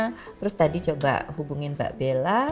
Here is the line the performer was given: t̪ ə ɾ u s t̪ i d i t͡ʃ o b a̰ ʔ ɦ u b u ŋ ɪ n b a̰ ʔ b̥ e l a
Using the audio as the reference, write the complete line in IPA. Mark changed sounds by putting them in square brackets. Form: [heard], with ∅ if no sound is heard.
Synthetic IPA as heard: t̪ ə ɾ [ʊ] s t̪ [a] d i t͡ʃ o b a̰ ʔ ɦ u b u ŋ ɪ n b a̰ ʔ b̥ e l a